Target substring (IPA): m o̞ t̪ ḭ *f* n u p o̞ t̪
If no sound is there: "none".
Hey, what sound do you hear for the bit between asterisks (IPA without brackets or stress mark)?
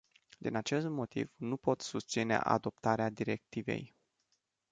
v